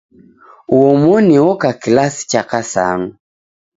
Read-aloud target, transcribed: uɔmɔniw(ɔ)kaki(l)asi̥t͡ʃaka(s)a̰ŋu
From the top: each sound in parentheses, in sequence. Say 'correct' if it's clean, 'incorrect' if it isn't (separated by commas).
correct, correct, correct